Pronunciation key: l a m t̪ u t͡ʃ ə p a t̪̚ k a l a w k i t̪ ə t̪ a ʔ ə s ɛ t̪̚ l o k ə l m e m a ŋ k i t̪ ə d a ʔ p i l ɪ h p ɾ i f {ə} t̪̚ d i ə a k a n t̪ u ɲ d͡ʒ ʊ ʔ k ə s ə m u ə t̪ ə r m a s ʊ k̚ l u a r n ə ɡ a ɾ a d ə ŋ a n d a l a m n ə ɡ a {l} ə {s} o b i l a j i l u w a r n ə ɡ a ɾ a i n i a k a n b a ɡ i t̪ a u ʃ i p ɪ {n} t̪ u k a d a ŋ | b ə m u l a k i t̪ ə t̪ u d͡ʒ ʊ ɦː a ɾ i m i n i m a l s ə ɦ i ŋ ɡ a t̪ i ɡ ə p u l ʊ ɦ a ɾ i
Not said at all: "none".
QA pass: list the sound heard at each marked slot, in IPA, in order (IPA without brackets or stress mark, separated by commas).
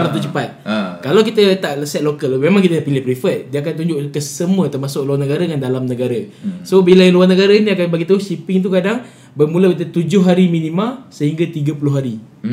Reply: ə, ɾ, s, ŋ